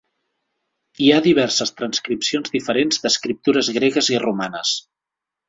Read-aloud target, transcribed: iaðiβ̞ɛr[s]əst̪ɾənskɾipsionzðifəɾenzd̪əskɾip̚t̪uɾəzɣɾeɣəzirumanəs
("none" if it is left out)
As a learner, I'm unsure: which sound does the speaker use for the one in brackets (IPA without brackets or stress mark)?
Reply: s